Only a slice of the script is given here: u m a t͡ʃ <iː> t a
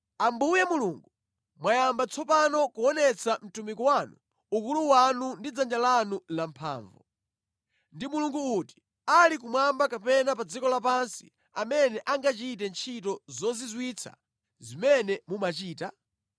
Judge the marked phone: correct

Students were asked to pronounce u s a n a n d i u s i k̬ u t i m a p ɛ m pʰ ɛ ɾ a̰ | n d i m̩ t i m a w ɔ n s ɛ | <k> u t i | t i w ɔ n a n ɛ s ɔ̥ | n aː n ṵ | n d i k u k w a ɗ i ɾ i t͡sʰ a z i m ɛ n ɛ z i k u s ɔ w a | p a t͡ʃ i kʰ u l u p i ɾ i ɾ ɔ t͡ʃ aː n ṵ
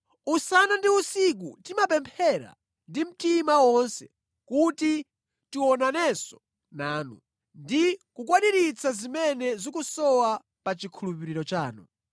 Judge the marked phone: correct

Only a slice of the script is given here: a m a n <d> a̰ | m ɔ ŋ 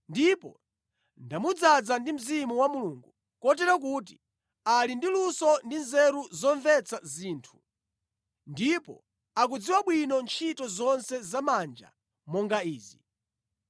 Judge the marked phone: incorrect: d͡ʒ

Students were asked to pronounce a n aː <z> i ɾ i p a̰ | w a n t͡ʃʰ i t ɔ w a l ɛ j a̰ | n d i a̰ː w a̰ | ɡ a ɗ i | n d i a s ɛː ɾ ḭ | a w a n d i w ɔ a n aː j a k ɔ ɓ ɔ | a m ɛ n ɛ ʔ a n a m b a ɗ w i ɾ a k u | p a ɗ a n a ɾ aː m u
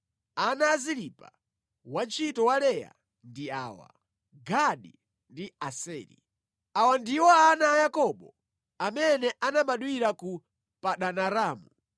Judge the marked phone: correct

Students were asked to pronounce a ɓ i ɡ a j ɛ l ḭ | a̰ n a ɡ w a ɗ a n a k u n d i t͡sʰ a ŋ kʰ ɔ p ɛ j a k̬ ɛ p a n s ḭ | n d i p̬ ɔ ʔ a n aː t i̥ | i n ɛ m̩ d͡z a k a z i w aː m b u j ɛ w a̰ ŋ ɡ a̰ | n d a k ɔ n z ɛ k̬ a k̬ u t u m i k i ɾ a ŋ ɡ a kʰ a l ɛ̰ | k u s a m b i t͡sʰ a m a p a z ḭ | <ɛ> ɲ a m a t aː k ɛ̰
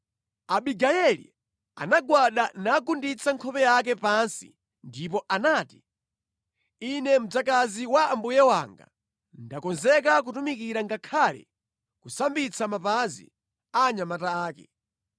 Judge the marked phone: incorrect: a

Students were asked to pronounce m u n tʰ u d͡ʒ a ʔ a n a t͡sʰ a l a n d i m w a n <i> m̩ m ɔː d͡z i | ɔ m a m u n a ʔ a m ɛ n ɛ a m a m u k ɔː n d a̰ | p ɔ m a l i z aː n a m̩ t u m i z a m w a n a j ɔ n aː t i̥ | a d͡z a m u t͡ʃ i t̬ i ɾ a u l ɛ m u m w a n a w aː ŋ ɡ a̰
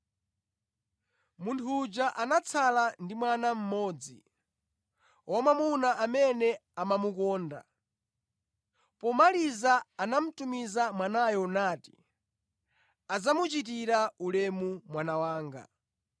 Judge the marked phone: incorrect: a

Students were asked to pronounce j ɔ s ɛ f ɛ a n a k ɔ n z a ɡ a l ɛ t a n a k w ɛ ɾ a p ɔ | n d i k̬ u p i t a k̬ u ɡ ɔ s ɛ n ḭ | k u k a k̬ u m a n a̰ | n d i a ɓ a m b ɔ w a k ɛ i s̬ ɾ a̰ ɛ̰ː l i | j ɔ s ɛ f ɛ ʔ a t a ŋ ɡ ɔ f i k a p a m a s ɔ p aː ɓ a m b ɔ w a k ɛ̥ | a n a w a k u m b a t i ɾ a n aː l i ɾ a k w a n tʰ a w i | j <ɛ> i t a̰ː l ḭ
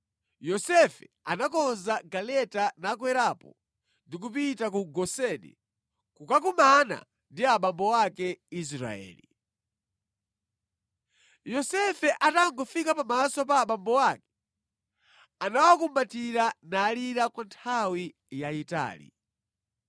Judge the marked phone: incorrect: a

